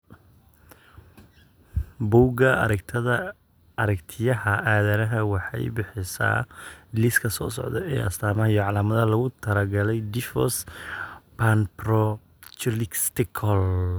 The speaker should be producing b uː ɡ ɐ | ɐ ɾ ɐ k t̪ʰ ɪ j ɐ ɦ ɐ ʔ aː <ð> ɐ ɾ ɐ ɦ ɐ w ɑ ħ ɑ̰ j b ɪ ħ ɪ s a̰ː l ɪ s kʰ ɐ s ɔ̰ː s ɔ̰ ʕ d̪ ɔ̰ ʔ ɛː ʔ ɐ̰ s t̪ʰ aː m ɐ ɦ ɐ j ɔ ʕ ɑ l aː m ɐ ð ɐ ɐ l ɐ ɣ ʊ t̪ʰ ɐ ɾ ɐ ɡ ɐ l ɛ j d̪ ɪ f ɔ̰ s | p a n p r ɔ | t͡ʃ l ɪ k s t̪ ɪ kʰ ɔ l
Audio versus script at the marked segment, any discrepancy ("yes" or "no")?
no